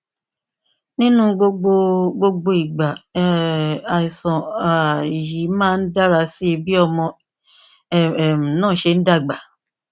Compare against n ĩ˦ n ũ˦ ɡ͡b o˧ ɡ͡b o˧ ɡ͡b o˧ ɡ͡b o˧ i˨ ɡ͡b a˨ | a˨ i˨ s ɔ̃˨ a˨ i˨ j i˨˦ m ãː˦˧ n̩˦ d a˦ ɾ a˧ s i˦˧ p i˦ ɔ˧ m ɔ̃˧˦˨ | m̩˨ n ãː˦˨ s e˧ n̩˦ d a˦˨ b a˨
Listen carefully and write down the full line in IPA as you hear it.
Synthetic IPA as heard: n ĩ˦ n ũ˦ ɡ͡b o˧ ɡ͡b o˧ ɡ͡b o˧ ɡ͡b o˧ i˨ ɡ͡b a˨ | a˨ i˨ s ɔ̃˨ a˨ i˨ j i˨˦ m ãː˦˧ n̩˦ d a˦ ɾ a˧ s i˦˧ b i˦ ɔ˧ m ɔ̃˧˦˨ | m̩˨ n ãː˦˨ ʃ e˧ n̩˦ d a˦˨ ɡ͡b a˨